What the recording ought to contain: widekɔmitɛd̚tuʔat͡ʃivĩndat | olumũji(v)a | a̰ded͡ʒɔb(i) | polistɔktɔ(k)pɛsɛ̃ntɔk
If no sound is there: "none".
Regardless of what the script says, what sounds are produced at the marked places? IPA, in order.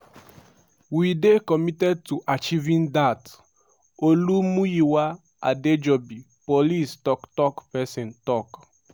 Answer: w, i, k

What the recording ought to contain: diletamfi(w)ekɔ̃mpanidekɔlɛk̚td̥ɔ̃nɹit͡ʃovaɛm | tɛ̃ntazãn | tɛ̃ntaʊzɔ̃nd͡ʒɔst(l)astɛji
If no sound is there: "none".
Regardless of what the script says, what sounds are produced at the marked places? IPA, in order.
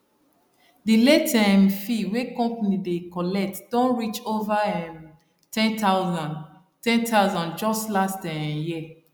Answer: w, l

